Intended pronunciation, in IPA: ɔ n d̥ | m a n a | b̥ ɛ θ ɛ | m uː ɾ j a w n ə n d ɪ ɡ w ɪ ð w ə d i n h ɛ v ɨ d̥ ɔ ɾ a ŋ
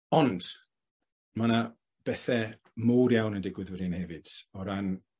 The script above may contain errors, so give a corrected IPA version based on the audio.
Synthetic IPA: ɔ n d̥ | m a n a | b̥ ɛ θ ɛ | m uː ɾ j a w n ə n d ɪ ɡ w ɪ ð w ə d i n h ɛ v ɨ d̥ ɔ ɾ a n